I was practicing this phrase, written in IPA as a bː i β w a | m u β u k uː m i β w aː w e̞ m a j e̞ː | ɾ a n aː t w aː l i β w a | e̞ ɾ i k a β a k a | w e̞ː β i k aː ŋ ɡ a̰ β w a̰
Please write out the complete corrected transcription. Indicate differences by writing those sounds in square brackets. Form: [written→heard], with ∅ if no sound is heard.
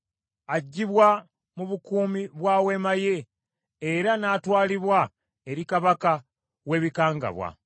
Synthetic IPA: a [bː→ɟː] i β w a | m u β u k uː m i β w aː w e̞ m a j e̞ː | ɾ a n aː t w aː l i β w a | e̞ ɾ i k a β a k a | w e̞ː β i k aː ŋ ɡ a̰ β w a̰